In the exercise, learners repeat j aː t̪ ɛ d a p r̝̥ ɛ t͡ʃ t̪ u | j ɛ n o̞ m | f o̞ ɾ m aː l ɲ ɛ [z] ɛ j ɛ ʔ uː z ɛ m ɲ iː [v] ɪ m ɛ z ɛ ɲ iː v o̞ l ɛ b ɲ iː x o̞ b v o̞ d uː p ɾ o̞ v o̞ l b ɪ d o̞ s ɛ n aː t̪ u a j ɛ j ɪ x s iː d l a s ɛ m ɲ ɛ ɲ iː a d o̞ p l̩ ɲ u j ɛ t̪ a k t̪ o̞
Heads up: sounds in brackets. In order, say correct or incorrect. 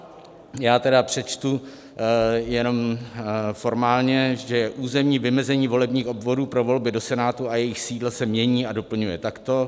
incorrect: ʒ, correct

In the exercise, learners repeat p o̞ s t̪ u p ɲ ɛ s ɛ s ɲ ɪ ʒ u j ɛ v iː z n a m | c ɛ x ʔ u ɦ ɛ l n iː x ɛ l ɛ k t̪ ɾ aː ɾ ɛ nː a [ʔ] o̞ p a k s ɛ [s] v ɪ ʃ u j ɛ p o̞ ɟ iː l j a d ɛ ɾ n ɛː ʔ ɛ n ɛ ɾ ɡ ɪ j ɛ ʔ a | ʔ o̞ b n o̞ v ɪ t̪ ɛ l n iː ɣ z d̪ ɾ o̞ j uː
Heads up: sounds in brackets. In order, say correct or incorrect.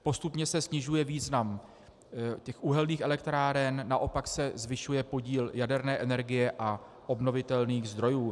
correct, incorrect: z

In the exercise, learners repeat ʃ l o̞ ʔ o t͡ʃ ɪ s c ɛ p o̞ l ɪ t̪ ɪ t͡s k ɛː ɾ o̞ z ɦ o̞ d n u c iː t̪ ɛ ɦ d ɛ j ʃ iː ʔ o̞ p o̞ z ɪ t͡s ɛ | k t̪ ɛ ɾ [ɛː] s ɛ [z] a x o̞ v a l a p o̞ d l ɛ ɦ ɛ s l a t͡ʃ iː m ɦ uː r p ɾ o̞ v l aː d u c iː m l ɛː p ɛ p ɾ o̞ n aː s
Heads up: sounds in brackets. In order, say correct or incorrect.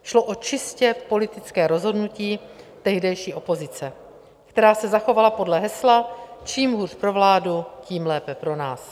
incorrect: aː, correct

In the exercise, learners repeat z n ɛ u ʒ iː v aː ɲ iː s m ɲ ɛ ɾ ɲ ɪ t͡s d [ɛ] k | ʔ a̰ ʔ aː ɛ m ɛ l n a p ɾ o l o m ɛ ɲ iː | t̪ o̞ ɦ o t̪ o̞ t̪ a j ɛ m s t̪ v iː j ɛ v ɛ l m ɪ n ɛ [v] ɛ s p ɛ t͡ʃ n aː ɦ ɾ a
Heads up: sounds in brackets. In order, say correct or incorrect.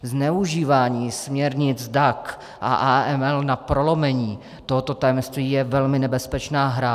incorrect: a, incorrect: b

